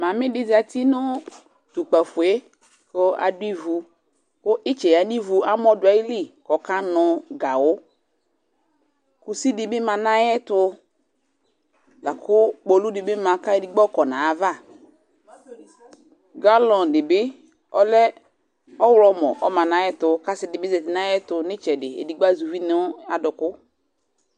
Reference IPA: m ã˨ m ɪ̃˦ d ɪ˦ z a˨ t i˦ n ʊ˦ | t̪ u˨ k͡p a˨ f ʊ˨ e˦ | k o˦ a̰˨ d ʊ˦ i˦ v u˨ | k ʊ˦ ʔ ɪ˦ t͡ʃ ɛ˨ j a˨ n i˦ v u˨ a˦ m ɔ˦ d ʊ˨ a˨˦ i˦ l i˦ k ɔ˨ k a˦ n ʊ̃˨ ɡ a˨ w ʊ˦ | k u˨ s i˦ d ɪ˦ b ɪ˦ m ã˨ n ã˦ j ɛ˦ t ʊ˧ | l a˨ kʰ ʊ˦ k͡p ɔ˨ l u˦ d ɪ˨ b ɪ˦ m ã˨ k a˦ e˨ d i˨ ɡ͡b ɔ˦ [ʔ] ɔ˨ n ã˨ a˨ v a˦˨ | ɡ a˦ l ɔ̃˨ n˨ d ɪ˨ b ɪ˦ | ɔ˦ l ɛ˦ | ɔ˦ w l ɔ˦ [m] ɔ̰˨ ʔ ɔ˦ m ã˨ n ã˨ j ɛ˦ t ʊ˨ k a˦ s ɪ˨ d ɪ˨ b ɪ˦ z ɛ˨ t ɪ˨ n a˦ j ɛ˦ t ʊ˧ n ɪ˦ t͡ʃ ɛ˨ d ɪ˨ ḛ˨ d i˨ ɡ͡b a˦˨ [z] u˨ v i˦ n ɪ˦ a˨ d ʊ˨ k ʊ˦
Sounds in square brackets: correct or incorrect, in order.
incorrect: k, correct, correct

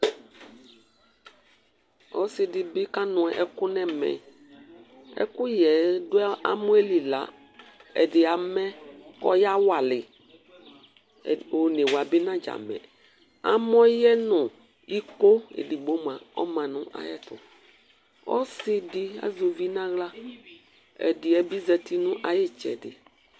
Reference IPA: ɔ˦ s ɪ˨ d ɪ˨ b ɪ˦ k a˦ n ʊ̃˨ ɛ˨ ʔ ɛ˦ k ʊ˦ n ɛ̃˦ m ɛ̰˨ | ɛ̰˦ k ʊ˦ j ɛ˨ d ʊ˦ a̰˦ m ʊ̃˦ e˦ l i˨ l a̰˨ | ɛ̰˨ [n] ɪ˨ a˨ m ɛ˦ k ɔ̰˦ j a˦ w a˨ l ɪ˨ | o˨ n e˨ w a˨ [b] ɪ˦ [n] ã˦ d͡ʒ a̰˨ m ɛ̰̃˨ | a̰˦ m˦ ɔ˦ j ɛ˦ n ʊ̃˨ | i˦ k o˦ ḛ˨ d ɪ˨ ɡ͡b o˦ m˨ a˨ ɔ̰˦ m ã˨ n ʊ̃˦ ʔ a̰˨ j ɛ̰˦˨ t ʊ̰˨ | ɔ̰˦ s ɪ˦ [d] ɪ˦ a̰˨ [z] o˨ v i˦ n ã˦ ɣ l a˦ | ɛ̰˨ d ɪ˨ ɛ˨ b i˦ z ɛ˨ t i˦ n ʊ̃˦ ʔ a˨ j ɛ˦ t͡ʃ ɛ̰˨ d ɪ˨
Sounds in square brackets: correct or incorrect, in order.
incorrect: d, correct, correct, correct, correct

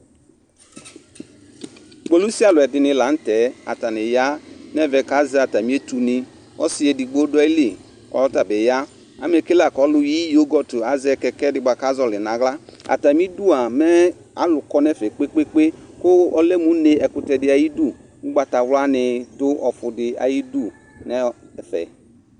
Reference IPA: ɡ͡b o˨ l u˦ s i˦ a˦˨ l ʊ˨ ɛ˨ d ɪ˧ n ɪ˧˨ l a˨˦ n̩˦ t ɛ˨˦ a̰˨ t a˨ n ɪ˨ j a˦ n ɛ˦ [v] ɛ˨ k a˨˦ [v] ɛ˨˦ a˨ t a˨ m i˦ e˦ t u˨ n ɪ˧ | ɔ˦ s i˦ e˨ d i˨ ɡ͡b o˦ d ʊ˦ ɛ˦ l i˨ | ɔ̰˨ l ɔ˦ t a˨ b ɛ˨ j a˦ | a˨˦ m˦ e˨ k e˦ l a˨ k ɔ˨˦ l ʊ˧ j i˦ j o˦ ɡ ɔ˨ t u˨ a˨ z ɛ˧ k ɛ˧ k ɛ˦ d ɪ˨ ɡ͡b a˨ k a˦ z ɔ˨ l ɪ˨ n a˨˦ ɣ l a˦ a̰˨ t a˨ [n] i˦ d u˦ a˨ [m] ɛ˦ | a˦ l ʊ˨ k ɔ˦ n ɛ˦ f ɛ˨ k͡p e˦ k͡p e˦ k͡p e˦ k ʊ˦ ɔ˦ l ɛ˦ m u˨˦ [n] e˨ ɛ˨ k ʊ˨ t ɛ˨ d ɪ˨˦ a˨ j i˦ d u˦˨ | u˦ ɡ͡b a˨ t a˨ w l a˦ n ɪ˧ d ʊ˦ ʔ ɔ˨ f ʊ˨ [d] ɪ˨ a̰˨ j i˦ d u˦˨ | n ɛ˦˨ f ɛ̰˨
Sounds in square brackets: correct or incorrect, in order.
correct, incorrect: z, incorrect: m, correct, correct, correct

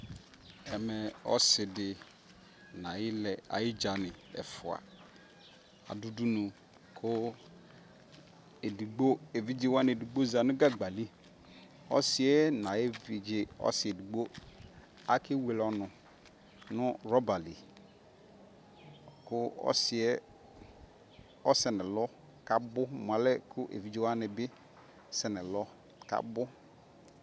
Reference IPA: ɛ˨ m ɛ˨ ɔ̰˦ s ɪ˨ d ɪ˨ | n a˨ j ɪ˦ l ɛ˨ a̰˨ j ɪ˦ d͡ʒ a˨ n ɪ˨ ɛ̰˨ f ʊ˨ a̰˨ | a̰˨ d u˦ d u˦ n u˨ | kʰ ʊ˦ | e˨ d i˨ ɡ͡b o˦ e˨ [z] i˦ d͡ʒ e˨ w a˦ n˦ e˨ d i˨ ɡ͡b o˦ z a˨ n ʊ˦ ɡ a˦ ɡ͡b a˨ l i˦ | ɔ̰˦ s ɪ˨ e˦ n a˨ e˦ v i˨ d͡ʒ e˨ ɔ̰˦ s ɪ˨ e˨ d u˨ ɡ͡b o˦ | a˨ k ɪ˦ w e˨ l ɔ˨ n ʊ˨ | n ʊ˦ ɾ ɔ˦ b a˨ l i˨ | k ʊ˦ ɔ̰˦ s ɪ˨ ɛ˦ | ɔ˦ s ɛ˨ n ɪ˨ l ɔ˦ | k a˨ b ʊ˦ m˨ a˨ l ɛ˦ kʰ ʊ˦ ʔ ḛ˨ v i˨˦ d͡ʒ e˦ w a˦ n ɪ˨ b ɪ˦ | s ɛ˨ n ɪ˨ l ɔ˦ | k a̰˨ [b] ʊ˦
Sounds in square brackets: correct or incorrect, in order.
incorrect: v, correct

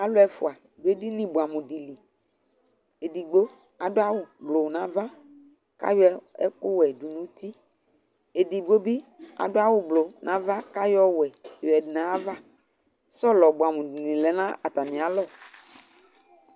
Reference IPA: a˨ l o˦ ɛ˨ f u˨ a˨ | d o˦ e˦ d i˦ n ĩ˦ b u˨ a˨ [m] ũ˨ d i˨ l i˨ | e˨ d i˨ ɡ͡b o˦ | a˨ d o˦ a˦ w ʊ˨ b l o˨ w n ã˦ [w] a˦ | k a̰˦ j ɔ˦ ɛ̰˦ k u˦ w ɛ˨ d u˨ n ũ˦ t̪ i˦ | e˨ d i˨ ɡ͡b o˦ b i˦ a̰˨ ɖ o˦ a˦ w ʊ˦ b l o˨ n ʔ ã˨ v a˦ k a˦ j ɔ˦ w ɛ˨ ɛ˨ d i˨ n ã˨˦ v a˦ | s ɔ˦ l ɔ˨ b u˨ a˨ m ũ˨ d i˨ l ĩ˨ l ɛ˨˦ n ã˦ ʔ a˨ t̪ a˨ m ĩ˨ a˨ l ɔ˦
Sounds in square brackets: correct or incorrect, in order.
correct, incorrect: v

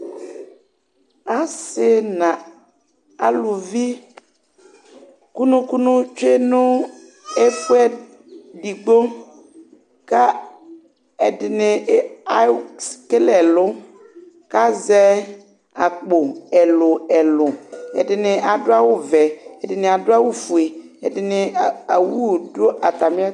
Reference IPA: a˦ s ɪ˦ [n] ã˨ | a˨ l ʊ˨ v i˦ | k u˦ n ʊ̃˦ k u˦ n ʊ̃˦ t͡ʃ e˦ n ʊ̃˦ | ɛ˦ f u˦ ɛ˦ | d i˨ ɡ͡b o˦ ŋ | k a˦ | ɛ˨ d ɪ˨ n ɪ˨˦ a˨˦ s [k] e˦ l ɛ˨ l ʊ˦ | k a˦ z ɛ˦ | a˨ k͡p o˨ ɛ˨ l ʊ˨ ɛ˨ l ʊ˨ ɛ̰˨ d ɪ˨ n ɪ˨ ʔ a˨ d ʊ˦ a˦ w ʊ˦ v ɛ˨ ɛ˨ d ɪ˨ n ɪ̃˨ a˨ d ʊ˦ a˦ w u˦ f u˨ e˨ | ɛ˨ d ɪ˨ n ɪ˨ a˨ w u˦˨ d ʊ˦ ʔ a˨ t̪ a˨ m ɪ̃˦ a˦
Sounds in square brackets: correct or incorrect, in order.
correct, correct

